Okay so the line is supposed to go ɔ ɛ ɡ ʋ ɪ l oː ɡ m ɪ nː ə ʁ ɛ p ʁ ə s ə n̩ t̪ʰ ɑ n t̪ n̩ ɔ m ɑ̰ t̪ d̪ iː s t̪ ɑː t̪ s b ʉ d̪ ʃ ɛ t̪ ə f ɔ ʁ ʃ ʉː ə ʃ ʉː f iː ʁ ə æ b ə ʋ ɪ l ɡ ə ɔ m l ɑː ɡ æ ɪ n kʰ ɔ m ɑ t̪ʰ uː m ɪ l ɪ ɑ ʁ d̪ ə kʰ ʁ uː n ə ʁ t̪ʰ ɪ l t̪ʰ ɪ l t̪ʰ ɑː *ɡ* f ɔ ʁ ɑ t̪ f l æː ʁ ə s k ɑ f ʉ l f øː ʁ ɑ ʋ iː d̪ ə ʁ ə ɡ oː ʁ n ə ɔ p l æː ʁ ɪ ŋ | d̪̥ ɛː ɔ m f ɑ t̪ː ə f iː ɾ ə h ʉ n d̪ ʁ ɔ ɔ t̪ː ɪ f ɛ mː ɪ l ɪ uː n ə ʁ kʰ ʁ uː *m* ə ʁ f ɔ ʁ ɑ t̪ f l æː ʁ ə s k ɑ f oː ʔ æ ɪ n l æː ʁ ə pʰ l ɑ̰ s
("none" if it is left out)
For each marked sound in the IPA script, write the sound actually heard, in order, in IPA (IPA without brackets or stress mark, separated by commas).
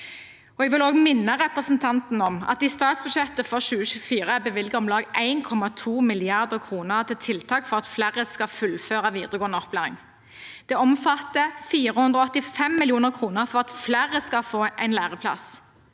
k, n